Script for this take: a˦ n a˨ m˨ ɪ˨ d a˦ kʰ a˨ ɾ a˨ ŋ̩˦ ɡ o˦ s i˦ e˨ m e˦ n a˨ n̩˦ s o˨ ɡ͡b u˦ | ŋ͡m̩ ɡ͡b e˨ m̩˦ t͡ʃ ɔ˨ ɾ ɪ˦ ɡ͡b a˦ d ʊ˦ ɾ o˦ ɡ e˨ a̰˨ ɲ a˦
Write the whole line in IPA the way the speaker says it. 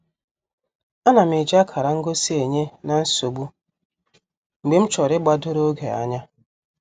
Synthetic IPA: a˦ n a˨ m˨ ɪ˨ d͡ʒ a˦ kʰ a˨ ɾ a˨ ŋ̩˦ ɡ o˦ s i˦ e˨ ɲ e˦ n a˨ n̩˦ s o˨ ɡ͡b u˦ | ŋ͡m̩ ɡ͡b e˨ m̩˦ t͡ʃ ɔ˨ ɾ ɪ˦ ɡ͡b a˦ d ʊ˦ ɾ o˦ ɡ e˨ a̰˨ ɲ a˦